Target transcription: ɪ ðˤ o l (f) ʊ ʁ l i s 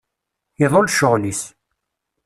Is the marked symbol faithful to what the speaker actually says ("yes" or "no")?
no